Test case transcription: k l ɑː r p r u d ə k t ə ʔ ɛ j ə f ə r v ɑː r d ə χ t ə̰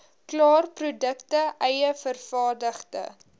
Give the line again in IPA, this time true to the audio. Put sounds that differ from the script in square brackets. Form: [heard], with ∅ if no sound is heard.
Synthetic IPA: k l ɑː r p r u d ə k t ə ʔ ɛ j ə f ə r [f] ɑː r d ə χ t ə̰